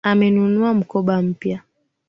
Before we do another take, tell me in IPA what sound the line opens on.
a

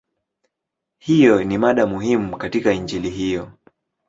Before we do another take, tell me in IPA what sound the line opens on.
h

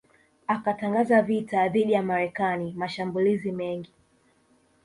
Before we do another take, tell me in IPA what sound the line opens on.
a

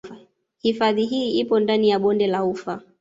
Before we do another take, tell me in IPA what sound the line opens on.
h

